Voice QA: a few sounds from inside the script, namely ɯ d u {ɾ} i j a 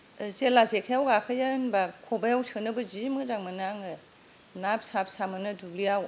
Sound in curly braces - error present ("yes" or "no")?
yes